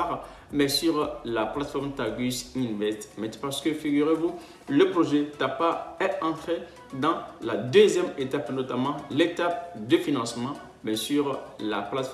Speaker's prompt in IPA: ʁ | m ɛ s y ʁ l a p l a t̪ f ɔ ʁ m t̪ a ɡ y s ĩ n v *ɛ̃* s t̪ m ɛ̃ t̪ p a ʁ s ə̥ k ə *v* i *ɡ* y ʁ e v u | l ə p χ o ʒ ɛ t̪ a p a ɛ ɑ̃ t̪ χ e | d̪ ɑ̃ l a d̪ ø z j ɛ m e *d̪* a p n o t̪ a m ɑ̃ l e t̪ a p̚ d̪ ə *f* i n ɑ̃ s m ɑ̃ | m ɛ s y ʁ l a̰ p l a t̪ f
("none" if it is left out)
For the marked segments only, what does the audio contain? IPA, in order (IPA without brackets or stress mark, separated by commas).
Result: ɛ, f, ɡ, t̪, f